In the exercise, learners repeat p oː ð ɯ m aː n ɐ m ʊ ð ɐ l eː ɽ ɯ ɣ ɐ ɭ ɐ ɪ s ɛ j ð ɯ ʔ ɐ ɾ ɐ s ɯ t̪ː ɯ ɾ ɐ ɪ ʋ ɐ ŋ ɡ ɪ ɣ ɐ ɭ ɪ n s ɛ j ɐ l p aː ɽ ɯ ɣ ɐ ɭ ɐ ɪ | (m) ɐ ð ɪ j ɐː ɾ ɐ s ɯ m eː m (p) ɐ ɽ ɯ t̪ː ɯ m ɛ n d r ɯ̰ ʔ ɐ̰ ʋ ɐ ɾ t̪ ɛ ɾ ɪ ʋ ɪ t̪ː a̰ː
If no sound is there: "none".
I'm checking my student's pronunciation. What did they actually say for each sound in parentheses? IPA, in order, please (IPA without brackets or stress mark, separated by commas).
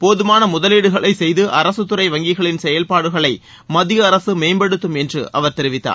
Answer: m, b